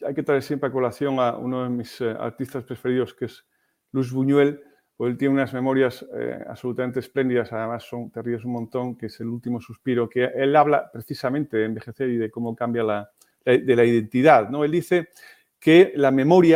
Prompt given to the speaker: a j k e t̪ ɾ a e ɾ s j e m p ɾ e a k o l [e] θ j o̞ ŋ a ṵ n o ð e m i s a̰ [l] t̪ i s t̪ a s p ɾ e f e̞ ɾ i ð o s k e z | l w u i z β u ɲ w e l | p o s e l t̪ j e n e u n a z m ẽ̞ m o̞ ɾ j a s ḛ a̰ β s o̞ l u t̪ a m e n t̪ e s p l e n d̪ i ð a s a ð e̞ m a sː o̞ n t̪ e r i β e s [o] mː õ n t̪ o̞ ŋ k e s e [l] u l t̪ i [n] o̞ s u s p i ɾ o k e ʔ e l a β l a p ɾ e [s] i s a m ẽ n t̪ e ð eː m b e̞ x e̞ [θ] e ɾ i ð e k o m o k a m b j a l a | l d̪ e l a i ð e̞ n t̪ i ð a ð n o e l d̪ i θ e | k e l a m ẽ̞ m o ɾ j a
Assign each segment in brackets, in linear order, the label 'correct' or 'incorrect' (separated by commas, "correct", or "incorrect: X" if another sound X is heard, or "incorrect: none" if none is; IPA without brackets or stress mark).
incorrect: a, incorrect: ɾ, incorrect: u, correct, incorrect: m, incorrect: θ, correct